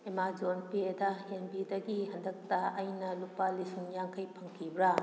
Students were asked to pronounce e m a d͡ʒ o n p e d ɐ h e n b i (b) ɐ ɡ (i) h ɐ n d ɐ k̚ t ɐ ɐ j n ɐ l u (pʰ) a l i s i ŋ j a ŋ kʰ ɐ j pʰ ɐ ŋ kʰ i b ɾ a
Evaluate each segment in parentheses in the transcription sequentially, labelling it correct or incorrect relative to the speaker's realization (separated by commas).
incorrect, correct, incorrect